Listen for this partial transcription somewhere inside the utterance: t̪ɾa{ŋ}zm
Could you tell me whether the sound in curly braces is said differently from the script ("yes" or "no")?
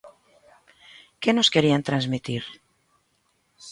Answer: yes